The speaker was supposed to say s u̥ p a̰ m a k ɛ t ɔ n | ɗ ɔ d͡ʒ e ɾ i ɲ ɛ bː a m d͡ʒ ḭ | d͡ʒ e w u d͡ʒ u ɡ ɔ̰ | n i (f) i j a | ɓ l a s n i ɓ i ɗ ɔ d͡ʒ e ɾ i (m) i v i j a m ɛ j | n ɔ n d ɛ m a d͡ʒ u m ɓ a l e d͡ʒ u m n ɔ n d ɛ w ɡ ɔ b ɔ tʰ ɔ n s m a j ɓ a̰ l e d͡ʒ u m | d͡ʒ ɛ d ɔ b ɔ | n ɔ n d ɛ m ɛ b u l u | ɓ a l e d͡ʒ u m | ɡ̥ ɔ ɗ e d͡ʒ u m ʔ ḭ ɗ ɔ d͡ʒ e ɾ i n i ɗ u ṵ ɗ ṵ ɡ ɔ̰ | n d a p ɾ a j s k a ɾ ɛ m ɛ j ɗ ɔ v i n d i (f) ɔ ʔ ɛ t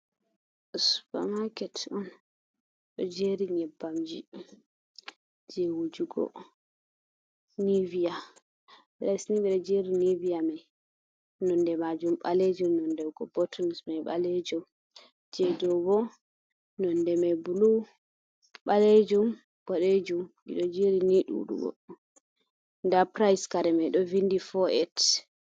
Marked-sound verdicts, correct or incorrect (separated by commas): incorrect, incorrect, correct